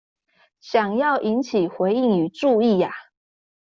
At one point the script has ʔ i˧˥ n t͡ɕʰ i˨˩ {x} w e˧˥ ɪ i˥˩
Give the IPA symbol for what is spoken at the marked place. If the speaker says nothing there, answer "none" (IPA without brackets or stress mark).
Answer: x